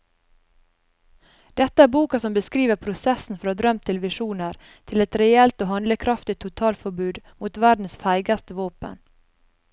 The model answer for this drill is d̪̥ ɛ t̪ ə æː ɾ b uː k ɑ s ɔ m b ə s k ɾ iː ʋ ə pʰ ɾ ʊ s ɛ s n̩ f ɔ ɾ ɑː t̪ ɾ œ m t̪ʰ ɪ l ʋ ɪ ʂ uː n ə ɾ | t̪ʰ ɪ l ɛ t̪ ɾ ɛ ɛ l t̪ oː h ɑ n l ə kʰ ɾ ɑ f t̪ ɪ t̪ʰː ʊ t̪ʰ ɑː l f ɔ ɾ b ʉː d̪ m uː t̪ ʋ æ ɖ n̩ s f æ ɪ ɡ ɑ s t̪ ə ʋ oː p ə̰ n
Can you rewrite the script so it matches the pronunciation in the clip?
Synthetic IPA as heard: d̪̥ ɛ t̪ ə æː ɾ b uː k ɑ s ɔ m b ə s k ɾ iː ʋ ə pʰ ɾ ʊ s ɛ s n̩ f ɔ ɾ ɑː d̪ ɾ œ m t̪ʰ ɪ l ʋ ɪ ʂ uː n ə ɾ | t̪ʰ ɪ l ɛ t̪ ɾ ɛ ɛ l t̪ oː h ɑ n l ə kʰ ɾ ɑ f t̪ ɪ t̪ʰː ʊ t̪ʰ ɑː l f ɔ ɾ b ʉː d̪ m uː t̪ ʋ æ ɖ n̩ s f æ ɪ ɡ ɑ s t̪ ə ʋ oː p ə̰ n